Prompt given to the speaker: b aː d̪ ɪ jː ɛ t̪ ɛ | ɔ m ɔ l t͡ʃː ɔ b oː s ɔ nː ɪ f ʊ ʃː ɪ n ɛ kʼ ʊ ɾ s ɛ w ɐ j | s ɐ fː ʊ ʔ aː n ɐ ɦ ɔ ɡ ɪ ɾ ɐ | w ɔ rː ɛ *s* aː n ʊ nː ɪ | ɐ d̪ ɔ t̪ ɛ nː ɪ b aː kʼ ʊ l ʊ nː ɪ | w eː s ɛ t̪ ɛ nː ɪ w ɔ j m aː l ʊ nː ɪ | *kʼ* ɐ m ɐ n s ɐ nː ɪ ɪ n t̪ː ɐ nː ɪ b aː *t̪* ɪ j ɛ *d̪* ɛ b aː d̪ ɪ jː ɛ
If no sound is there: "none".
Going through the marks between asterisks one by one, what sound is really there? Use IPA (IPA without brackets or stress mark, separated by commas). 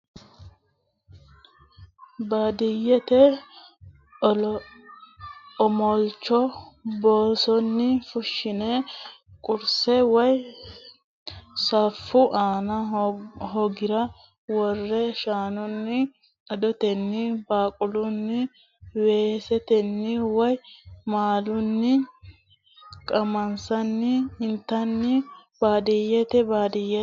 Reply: ʃ, kʼ, d̪, t̪